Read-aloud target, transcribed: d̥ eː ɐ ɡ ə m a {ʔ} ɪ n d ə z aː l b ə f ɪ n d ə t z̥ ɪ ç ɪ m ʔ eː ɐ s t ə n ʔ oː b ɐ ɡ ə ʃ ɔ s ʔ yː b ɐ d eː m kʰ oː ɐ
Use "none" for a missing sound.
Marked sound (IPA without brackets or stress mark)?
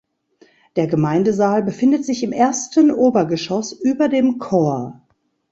none